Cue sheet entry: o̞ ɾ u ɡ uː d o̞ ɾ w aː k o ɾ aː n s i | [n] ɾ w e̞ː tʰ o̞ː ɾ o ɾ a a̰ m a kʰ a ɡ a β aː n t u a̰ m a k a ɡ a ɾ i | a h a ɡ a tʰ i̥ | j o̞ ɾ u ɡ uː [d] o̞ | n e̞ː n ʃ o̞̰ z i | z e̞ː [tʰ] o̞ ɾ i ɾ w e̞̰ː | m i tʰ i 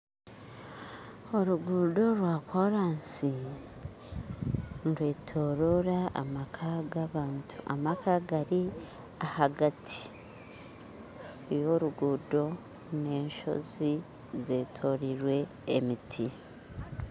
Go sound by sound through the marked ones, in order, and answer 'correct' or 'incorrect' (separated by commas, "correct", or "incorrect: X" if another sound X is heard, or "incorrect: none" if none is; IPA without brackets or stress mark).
correct, correct, correct